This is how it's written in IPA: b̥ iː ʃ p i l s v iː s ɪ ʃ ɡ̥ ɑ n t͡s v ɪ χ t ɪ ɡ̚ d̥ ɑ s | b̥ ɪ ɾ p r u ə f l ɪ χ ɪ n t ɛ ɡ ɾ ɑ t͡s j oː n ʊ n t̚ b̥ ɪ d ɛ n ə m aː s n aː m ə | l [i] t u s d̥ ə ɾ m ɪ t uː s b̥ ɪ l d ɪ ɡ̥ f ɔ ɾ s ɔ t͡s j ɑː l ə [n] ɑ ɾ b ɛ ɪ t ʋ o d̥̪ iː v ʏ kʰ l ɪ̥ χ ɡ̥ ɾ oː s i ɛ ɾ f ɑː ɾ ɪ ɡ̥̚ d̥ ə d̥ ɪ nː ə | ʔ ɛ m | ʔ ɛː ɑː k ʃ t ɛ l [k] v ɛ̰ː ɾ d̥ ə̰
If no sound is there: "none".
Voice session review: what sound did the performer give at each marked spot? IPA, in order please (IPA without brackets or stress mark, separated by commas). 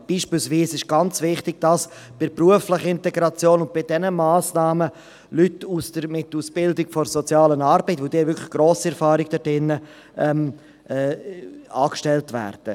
y, n, t